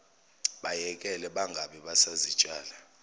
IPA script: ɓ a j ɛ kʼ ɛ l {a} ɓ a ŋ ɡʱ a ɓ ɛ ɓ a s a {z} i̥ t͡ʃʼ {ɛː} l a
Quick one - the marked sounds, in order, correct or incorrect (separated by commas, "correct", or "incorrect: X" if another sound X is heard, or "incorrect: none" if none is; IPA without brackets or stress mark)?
incorrect: ɛ, correct, incorrect: aː